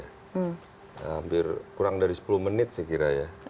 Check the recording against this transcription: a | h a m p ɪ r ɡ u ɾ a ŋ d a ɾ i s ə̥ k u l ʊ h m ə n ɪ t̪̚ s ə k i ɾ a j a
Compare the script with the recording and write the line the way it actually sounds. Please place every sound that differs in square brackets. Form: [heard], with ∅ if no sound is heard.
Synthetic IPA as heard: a | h a m p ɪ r [k] u ɾ a ŋ d a ɾ i s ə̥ [p] u l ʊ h m ə n ɪ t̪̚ s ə k i ɾ a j a